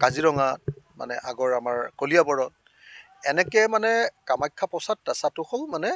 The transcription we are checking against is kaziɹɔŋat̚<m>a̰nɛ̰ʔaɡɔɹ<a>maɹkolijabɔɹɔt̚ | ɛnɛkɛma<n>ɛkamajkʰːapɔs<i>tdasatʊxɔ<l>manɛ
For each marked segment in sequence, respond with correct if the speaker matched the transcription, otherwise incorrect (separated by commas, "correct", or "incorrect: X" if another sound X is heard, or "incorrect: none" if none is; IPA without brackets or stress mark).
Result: correct, correct, correct, incorrect: a, correct